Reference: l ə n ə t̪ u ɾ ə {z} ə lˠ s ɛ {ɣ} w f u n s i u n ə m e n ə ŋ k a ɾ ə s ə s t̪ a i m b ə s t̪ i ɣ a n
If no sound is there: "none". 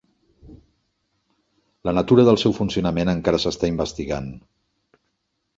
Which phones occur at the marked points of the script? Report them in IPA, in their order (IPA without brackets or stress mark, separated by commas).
ð, none